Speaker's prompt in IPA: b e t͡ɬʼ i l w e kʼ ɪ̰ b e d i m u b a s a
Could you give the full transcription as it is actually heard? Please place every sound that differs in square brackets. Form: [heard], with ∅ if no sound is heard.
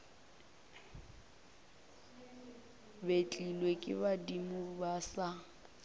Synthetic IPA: b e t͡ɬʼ i l w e kʼ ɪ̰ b [a] d i m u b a s a